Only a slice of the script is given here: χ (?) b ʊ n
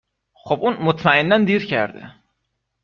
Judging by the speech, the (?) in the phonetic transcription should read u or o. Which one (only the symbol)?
o